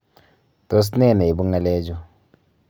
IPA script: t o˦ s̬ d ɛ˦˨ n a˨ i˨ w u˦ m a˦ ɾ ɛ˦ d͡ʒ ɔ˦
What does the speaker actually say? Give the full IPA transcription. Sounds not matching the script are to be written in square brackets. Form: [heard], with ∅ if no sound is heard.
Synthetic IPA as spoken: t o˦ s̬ [n] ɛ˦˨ n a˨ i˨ [b] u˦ [ŋ] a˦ [l] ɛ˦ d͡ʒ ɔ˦

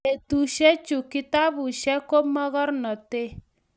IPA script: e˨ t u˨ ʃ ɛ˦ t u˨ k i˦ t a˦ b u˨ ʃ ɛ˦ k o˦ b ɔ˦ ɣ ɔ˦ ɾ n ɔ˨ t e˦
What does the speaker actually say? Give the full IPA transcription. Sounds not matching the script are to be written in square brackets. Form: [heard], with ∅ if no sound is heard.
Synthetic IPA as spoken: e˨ t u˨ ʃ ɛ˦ [t͡ʃ] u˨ k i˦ t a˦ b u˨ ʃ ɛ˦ k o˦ [m] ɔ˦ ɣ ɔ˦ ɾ n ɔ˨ t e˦

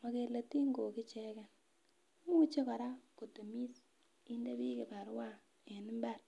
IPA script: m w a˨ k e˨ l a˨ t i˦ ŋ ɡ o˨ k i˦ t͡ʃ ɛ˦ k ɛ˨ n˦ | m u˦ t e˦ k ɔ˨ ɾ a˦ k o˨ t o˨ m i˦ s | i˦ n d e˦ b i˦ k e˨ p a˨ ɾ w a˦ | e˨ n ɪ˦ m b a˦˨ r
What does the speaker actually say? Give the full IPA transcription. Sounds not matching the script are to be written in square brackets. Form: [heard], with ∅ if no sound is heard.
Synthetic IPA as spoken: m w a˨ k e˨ l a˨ t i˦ ŋ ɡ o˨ k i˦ t͡ʃ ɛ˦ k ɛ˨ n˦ | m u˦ [t͡ʃ] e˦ k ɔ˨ ɾ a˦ k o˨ t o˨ m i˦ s | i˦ n d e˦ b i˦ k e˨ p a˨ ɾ w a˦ | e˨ n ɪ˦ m b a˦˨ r

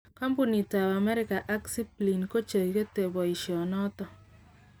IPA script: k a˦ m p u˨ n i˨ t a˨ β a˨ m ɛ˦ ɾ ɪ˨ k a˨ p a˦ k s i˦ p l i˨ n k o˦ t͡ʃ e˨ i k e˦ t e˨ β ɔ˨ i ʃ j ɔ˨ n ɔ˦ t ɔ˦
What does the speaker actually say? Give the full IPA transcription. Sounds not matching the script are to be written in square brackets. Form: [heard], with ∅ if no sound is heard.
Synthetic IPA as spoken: k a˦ m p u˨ n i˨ t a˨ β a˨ m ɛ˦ ɾ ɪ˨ k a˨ [ʔ] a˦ k s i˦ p l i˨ n k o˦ t͡ʃ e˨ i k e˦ t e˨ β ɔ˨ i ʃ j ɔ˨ n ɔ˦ t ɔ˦

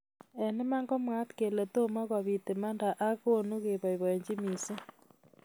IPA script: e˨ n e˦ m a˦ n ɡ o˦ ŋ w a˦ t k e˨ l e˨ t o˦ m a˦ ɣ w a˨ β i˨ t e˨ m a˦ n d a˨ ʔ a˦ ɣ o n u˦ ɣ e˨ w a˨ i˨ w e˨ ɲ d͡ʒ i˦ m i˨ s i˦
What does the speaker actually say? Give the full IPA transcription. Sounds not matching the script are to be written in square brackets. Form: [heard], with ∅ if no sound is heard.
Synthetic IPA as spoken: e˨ n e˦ m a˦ [ŋ] ɡ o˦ [m] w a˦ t k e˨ l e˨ t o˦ m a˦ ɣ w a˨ β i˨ t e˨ m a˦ n d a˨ ʔ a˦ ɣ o n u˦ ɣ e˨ [β] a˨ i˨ [β] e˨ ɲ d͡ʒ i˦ m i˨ s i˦

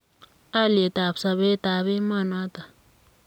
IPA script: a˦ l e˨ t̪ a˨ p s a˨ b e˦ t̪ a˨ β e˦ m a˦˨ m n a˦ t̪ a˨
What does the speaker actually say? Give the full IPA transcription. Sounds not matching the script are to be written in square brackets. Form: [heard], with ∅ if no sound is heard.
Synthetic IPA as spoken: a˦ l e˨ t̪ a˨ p s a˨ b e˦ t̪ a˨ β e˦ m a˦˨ [∅] n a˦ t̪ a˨

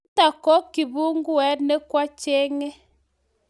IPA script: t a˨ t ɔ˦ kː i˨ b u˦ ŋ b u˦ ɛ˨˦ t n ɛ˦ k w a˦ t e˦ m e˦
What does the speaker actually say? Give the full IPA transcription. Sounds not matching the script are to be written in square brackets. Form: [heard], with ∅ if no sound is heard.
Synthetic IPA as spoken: t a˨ [k] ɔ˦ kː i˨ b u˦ ŋ [ɡ] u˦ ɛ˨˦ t n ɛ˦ k w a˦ [t͡ʃ] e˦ [ŋ] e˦

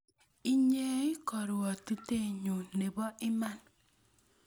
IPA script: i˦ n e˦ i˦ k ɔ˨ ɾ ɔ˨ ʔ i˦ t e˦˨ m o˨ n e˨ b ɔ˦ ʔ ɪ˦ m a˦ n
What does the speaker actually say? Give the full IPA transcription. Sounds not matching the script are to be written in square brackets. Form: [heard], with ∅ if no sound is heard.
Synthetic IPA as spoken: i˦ [ɲ] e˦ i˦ k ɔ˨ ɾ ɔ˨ [t] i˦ t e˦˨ [ɲ] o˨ n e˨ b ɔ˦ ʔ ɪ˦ m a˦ n

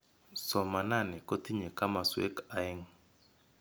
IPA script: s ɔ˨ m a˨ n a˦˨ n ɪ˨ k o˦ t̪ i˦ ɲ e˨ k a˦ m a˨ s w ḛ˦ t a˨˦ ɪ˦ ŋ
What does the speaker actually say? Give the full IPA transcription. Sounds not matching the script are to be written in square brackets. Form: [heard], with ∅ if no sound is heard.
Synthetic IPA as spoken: s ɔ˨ m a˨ n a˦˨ n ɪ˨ k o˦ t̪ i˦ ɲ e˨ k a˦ m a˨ s w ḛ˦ [k] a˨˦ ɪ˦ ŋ

